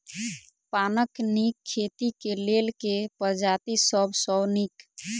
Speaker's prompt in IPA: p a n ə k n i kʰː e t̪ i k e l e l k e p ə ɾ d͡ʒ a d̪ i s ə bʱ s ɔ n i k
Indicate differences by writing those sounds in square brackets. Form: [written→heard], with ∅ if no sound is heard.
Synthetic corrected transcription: p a n ə k n i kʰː e t̪ i k e l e l k e p ə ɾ d͡ʒ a [d̪→t̪] i s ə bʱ s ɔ n i k